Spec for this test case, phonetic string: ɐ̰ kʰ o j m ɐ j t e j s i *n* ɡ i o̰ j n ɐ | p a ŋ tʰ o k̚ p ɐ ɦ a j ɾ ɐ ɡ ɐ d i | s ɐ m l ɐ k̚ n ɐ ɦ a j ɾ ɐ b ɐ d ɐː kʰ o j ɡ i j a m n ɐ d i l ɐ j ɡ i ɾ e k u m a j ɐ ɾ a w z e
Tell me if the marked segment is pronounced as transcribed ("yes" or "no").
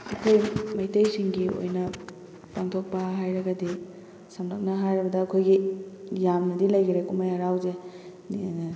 no